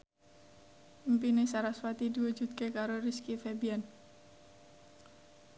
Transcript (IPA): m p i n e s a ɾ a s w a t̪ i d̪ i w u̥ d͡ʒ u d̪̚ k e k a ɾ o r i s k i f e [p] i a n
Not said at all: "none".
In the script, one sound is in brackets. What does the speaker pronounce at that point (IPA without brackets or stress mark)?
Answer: b